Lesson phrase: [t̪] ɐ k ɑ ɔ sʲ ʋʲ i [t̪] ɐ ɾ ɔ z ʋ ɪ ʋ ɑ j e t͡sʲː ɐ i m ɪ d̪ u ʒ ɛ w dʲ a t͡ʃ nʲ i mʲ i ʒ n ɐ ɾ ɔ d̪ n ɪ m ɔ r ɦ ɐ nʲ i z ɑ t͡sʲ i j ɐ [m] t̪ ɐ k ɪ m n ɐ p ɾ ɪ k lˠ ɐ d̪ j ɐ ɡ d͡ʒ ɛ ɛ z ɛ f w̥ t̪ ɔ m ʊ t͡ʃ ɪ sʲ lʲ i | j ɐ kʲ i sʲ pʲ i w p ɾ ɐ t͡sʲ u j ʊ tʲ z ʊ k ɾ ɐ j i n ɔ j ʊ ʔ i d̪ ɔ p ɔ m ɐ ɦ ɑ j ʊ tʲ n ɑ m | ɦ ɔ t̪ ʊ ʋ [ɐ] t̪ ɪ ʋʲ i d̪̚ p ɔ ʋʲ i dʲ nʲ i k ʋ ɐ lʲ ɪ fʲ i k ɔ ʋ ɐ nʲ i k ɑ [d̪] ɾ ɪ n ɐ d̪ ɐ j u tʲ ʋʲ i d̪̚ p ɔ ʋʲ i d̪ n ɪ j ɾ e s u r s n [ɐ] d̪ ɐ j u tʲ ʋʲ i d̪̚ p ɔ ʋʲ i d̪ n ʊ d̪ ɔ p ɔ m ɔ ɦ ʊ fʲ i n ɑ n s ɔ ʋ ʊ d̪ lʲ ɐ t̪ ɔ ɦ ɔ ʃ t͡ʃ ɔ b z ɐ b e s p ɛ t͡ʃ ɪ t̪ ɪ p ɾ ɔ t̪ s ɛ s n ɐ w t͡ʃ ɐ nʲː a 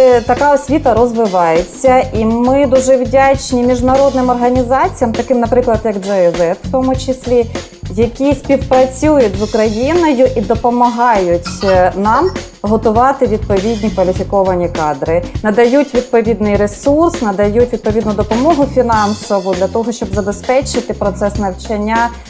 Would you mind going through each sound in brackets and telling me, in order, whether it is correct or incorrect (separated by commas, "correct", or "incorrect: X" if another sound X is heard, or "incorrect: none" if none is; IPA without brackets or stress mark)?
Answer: correct, correct, correct, incorrect: ɑ, correct, correct